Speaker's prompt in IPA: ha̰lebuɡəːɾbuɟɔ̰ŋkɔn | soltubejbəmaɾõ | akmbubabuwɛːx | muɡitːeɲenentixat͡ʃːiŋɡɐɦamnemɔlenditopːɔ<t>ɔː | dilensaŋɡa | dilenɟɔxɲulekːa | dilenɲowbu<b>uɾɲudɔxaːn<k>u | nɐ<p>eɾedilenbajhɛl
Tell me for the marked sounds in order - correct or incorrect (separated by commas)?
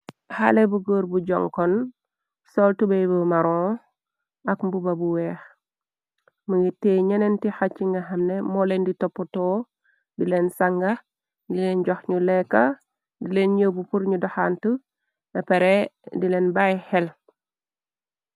correct, incorrect, incorrect, correct